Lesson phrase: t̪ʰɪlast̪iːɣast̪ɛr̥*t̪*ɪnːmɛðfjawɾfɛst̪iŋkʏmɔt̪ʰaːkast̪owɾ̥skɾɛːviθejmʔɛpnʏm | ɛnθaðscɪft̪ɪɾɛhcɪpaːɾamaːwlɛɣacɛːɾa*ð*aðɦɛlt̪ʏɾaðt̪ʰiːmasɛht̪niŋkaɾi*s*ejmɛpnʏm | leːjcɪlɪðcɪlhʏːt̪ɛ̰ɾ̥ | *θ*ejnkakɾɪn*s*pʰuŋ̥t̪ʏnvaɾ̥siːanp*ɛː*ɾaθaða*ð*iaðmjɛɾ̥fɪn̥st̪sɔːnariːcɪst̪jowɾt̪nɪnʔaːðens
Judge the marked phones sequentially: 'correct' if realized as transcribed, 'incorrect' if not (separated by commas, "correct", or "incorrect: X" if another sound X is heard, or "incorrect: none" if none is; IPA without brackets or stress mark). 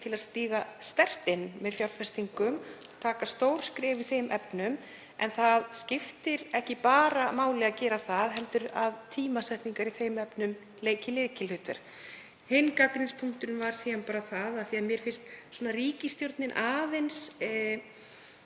correct, incorrect: θ, incorrect: θ, incorrect: h, correct, incorrect: aː, incorrect: θ